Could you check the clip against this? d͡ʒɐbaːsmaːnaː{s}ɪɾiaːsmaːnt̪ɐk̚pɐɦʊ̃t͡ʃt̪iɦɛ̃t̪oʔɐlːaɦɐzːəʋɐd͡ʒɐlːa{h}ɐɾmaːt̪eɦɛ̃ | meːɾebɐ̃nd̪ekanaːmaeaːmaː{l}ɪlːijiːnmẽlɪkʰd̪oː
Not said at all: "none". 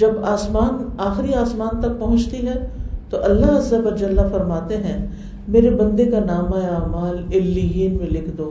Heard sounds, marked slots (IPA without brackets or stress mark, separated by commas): x, f, l